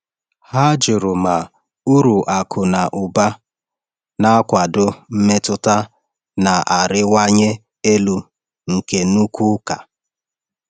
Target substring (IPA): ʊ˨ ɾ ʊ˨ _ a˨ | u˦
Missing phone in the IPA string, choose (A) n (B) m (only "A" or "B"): B